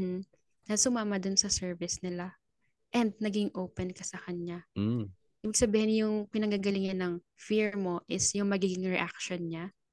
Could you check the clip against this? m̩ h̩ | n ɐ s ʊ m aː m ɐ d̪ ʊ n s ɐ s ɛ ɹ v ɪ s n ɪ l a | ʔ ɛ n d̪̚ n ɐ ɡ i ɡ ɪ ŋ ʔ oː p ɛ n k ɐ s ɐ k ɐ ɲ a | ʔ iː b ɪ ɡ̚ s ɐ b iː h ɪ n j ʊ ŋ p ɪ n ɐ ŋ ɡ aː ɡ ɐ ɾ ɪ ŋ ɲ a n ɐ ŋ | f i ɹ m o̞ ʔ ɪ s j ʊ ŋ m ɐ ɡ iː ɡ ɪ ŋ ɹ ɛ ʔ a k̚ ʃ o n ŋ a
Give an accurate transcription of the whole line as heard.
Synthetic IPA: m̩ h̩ | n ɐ s ʊ m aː m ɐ d̪ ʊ n s ɐ s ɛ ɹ v ɪ s n ɪ l a | ʔ ɛ n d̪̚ n ɐ ɡ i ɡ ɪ ŋ ʔ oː p ɛ n k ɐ s ɐ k ɐ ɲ a | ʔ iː b ɪ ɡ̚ s ɐ b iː h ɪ n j ʊ ŋ p ɪ n ɐ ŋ ɡ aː ɡ ɐ l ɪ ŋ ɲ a n ɐ ŋ | f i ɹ m o̞ ʔ ɪ s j ʊ ŋ m ɐ ɡ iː ɡ ɪ ŋ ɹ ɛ ʔ a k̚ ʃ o n ɲ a